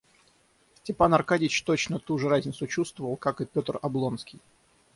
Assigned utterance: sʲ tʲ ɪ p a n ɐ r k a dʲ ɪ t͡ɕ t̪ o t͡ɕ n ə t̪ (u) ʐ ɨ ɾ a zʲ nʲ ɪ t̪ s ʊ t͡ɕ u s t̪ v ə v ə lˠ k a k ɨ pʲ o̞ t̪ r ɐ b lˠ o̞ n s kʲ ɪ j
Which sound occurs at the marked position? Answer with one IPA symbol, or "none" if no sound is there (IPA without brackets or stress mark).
u